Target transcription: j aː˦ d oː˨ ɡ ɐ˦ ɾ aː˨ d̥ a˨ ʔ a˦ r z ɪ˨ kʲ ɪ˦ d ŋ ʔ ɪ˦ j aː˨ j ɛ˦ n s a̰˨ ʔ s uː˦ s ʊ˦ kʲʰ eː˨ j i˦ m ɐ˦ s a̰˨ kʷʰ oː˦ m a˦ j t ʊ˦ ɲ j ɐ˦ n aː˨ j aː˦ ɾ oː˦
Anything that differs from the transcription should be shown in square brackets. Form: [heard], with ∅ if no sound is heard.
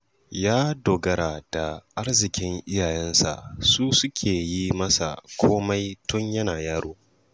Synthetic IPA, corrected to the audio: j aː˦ d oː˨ ɡ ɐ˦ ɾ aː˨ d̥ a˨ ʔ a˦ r z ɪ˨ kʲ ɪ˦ [∅] ŋ ʔ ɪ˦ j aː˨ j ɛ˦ n s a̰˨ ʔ s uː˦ s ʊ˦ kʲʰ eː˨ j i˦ m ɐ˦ s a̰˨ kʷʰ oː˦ m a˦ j t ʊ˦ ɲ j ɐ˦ n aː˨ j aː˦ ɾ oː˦

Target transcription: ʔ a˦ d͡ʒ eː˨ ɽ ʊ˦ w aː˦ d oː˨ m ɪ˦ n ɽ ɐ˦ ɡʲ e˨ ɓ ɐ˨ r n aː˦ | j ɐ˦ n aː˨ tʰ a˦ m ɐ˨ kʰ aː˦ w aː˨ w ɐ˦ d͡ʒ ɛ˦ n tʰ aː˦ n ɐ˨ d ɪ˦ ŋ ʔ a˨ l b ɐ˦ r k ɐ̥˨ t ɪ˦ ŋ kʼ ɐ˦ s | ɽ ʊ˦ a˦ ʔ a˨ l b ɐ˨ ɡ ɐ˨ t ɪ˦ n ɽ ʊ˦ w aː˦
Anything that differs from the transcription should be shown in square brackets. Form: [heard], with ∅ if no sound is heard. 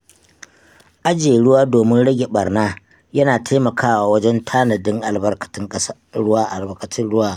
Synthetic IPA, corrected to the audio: ʔ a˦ d͡ʒ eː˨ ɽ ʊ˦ w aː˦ d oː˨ m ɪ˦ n ɽ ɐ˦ ɡʲ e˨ ɓ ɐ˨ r n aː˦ | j ɐ˦ n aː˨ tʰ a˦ m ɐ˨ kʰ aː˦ w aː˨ w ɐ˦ d͡ʒ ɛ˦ n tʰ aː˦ n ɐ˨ d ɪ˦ ŋ ʔ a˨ l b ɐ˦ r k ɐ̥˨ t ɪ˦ ŋ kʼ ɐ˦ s | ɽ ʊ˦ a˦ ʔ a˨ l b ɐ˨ [k] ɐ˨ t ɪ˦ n ɽ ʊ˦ w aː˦

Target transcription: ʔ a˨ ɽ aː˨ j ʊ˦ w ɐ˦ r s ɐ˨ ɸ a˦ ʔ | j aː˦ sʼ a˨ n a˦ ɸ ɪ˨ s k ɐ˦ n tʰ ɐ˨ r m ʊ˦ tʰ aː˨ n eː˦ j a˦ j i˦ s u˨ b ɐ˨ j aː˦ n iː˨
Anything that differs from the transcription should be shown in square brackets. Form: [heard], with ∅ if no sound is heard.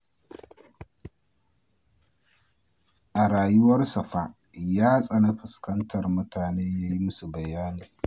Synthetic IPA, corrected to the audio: ʔ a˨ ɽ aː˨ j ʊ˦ w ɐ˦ r s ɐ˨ ɸ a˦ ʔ | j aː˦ sʼ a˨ n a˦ ɸ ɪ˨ s k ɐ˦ n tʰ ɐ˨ r m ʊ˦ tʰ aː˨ n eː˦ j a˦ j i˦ s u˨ b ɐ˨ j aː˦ n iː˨

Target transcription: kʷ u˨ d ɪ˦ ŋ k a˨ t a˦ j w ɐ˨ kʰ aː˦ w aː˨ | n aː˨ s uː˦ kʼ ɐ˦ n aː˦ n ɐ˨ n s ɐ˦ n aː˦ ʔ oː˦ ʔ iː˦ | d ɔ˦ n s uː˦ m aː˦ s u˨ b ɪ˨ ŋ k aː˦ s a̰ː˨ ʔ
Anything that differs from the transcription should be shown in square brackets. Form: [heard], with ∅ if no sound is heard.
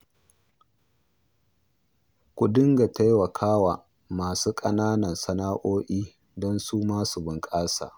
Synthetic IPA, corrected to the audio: kʷ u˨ d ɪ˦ ŋ [ɡ] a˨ t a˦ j w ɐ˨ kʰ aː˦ w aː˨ | [m] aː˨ s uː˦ kʼ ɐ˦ n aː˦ n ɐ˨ n s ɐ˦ n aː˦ ʔ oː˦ ʔ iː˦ | d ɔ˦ n s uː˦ m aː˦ s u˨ b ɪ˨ ŋ [kʼ] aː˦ s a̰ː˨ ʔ

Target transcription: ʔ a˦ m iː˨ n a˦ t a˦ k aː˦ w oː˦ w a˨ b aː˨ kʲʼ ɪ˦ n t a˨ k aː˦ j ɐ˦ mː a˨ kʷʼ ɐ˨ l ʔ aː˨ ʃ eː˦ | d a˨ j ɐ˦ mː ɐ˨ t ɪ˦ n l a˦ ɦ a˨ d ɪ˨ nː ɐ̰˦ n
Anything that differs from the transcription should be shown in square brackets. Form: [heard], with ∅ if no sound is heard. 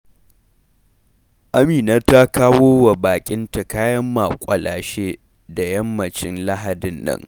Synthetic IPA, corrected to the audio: ʔ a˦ m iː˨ n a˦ t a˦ k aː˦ w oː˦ w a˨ b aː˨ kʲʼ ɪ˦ n t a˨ k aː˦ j ɐ˦ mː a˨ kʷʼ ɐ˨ l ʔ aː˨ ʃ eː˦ | d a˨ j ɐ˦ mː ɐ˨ [t͡ʃ] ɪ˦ n l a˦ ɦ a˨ d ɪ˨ nː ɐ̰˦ [ŋ]

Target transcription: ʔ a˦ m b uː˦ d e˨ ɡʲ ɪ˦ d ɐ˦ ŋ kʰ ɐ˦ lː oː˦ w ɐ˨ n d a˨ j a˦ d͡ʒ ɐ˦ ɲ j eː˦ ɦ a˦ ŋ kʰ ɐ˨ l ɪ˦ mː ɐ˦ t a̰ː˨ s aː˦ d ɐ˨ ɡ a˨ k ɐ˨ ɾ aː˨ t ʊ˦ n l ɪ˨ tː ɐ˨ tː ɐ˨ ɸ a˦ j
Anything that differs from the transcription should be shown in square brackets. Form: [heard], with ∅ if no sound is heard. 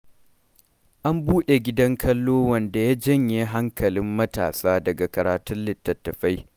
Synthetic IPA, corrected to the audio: ʔ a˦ m b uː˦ [ɗ] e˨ ɡʲ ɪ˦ d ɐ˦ ŋ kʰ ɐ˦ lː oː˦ w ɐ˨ n d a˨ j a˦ d͡ʒ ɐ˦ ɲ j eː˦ ɦ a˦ ŋ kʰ ɐ˨ l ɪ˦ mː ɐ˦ t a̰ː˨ s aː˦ d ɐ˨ ɡ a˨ k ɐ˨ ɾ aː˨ t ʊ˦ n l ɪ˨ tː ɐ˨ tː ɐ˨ ɸ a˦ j

